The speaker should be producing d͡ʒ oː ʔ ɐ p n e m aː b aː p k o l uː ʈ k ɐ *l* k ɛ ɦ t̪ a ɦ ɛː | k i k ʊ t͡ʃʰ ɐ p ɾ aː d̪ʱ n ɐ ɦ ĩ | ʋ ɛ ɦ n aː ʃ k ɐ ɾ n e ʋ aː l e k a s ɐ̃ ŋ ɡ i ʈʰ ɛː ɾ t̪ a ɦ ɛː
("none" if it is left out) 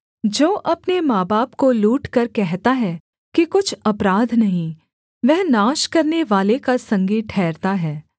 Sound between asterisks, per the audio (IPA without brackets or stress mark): ɾ